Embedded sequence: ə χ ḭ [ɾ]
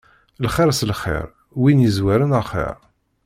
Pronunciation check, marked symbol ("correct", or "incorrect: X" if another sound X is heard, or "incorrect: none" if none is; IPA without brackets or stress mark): correct